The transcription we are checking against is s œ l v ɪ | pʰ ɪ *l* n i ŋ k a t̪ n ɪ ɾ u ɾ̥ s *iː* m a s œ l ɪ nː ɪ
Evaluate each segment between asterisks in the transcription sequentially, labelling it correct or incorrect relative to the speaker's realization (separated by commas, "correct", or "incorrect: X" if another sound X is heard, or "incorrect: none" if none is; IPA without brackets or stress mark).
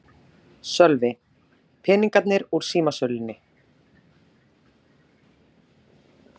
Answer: incorrect: none, correct